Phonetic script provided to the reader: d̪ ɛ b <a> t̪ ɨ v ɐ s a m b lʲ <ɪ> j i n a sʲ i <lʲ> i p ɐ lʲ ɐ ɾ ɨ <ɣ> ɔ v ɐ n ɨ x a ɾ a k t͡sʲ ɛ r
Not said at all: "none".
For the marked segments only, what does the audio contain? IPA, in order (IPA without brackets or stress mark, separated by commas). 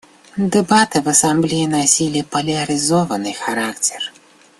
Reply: a, i, lʲ, z